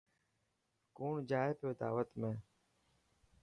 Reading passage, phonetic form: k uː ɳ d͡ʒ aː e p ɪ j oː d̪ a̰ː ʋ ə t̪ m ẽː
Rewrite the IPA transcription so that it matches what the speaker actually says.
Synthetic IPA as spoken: k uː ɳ d͡ʒ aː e p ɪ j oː d̪ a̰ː ʋ ə t̪ m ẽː